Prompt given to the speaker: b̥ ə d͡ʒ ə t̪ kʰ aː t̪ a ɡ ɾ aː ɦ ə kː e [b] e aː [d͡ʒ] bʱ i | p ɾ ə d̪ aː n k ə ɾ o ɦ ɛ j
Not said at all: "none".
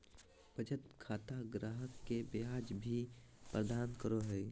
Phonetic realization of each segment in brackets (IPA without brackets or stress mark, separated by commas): b, d͡ʒ